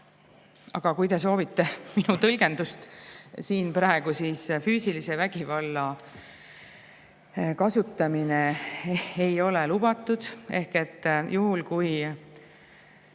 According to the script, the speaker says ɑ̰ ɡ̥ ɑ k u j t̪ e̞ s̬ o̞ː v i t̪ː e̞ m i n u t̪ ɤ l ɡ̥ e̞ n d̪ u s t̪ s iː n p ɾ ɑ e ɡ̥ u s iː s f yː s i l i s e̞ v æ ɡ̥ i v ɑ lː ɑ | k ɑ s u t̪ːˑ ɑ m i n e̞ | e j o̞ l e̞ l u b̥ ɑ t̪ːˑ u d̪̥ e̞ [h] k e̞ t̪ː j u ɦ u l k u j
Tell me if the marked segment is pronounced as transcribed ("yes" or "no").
yes